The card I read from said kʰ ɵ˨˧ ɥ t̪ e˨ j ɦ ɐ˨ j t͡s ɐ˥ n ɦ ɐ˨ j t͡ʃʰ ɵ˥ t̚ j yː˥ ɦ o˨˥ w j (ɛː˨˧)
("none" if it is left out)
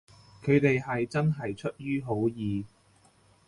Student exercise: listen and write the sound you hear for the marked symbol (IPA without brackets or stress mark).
iː˨˧